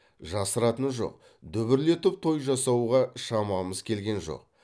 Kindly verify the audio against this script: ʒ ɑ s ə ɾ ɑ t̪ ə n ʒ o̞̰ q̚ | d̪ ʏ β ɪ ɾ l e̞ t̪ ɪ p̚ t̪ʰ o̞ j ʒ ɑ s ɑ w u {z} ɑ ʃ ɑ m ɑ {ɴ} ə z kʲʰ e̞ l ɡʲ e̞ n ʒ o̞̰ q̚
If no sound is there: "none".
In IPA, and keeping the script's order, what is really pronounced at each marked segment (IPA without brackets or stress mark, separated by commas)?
ʁ, m